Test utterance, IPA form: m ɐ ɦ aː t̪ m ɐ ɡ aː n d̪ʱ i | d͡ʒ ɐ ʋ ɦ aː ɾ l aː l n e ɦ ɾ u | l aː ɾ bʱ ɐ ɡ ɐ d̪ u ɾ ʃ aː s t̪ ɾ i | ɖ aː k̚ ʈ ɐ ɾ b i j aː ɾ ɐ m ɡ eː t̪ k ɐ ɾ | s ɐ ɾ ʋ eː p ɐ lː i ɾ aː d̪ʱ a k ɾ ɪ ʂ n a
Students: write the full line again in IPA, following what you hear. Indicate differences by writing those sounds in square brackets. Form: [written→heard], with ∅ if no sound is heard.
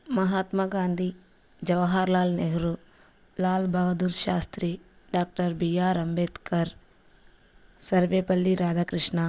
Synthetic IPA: m ɐ ɦ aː t̪ m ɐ ɡ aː n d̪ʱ i | d͡ʒ ɐ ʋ ɦ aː ɾ l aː l n e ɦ ɾ u | l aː [ɾ→l] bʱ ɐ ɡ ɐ d̪ u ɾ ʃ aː s t̪ ɾ i | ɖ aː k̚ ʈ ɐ ɾ b i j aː ɾ ɐ m [ɡ→b] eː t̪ k ɐ ɾ | s ɐ ɾ ʋ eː p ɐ lː i ɾ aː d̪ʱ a k ɾ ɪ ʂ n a